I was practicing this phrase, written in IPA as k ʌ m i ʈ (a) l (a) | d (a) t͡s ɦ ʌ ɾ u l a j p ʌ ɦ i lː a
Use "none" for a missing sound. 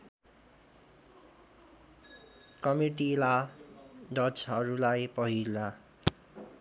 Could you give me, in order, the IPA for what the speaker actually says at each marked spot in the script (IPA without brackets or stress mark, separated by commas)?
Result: i, a, ʌ